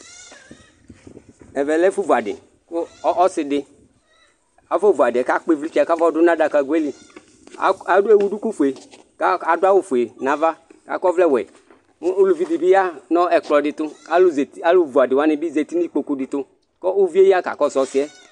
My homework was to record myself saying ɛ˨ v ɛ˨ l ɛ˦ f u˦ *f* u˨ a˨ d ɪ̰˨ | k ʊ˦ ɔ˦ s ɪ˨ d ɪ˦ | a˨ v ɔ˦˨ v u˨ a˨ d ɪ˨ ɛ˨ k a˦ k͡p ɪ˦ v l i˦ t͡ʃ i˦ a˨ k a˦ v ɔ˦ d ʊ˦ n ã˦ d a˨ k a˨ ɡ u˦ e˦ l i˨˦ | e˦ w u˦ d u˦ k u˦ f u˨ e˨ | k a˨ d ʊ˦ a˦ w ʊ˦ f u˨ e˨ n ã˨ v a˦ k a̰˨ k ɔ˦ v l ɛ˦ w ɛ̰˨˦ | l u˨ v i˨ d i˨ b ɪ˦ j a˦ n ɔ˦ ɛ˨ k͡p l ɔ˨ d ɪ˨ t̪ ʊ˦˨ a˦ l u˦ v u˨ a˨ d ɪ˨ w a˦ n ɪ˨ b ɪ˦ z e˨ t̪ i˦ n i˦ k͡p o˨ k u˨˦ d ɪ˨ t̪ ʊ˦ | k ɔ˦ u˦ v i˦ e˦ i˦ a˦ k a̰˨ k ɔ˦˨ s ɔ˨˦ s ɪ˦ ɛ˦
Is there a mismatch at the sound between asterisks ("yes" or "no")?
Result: yes